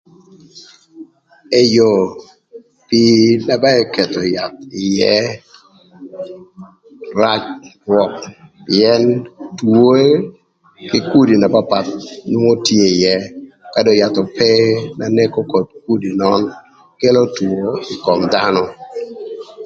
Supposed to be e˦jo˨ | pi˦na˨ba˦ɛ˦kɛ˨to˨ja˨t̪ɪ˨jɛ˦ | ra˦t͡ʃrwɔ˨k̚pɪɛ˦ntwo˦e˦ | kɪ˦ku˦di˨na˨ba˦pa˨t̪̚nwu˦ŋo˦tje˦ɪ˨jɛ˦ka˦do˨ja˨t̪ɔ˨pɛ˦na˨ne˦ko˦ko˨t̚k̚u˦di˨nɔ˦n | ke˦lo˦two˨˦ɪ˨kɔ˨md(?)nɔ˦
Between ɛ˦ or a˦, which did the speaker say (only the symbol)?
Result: a˦